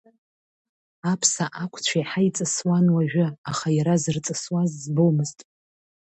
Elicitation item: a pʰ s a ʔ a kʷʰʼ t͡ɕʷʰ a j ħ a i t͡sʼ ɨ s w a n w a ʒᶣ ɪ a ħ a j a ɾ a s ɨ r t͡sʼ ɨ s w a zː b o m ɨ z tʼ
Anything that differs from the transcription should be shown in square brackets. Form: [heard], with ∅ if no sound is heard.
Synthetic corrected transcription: a pʰ s a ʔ a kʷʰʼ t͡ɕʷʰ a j ħ a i t͡sʼ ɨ s w a n w a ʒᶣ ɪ a [χ] a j a ɾ a [z] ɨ r t͡sʼ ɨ s w a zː b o m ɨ z tʼ